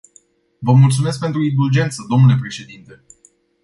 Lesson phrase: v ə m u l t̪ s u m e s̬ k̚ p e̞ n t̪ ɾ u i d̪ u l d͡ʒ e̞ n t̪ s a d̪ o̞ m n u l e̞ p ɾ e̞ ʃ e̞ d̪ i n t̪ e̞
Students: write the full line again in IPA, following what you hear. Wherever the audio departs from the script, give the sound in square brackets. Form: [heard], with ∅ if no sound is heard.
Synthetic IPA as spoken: v ə m u l t̪ s u m e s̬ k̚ p e̞ n t̪ ɾ u i d̪ u l d͡ʒ e̞ n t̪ s [ə] d̪ o̞ m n u l e̞ p ɾ e̞ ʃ e̞ d̪ i n t̪ e̞

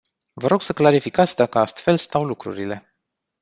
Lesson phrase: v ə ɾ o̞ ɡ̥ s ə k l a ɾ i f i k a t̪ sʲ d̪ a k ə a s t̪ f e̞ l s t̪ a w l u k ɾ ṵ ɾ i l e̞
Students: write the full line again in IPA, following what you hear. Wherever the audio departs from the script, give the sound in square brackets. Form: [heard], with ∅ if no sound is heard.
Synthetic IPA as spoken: v ə ɾ o̞ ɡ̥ s ə k l a ɾ i f i k a t̪ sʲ d̪ a k ə a s t̪ f e̞ l s t̪ a w l u k ɾ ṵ ɾ i l e̞

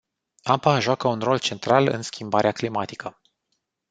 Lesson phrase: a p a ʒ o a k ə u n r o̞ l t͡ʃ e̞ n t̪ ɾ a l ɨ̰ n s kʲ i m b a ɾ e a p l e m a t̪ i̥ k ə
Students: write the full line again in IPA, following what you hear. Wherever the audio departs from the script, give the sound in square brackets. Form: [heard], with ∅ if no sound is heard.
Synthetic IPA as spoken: a p a ʒ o a k ə u n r o̞ l t͡ʃ e̞ n t̪ ɾ a l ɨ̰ n s kʲ i m b a ɾ e a [k] l [i] m a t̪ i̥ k ə

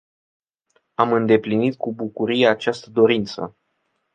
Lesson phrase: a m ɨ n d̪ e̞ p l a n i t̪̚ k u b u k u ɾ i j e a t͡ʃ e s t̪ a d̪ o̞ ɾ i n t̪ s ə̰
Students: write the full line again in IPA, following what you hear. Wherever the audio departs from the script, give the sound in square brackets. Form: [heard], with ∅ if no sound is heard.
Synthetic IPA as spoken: a m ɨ n d̪ e̞ p l [i] n i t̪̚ k u b u k u ɾ i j e a t͡ʃ [a] s t̪ [ə] d̪ o̞ ɾ i n t̪ s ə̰

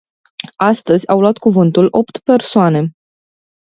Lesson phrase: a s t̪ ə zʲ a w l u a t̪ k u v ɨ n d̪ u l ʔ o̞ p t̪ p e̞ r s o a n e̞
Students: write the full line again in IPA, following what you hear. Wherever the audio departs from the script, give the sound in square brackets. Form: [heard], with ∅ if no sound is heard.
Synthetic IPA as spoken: a s t̪ ə zʲ a w l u a t̪ k u v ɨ n [t̪] u l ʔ o̞ p t̪ p e̞ r s o a n e̞

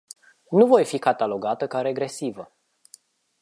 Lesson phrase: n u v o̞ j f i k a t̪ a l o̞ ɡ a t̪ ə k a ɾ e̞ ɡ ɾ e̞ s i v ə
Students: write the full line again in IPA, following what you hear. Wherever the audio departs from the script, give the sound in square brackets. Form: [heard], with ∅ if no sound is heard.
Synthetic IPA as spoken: n u v o̞ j f i k a t̪ a l o̞ ɡ a t̪ ə k a ɾ e̞ ɡ ɾ e̞ s i v ə

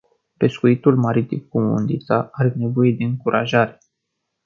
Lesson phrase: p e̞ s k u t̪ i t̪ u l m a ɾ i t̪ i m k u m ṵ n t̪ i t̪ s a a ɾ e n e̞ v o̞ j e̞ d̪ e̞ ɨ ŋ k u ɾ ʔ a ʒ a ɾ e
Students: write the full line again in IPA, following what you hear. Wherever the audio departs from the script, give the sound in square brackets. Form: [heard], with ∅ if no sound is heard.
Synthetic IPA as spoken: p e̞ s k u [∅] i t̪ u l m a ɾ i t̪ i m k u m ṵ n [d̪] i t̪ s a a ɾ e n e̞ v o̞ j e̞ d̪ e̞ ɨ ŋ k u ɾ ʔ a ʒ a ɾ e

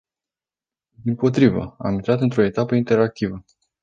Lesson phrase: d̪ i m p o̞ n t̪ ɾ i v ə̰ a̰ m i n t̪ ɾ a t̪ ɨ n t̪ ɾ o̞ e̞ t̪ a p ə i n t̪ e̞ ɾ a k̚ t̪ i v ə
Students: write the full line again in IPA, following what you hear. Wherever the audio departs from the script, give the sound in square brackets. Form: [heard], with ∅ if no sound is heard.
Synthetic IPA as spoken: d̪ i m p o̞ [∅] t̪ ɾ i v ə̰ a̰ m i n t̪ ɾ a t̪ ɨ n t̪ ɾ o̞ e̞ t̪ a p ə i n t̪ e̞ ɾ a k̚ t̪ i v ə

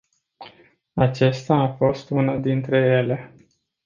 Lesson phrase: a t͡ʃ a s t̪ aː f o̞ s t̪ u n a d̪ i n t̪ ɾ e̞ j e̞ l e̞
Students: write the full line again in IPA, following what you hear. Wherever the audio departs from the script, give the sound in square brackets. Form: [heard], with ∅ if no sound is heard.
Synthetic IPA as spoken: a t͡ʃ [e] s t̪ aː f o̞ s t̪ u n a d̪ i n t̪ ɾ e̞ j e̞ l e̞

